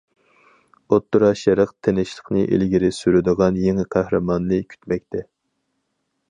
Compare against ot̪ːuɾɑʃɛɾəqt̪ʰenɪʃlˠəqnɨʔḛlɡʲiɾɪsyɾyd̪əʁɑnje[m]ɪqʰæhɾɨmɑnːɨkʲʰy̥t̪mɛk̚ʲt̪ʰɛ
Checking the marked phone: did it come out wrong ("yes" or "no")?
yes